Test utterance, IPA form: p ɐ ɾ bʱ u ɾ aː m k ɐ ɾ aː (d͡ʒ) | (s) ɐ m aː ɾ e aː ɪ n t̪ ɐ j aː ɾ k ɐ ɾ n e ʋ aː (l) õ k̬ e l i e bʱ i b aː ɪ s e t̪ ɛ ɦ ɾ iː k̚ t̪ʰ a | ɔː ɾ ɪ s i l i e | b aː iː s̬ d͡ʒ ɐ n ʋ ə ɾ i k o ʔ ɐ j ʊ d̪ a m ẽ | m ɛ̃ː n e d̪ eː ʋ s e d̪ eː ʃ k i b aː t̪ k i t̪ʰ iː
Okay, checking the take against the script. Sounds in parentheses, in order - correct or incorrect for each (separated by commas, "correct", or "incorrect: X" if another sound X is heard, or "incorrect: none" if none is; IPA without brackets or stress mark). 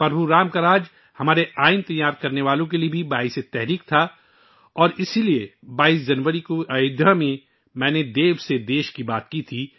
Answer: correct, incorrect: h, correct